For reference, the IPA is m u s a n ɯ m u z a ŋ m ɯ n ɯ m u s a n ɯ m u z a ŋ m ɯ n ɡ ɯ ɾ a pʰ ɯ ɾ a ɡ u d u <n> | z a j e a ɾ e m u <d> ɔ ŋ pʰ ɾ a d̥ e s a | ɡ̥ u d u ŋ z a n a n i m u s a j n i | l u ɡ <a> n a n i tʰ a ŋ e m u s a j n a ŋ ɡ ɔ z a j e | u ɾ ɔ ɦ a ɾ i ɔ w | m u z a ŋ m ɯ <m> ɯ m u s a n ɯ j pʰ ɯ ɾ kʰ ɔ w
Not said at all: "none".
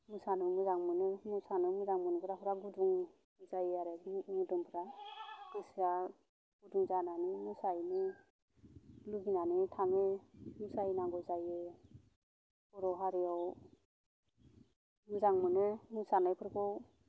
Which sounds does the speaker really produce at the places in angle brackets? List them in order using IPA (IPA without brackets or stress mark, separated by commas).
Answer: ŋ, d, i, n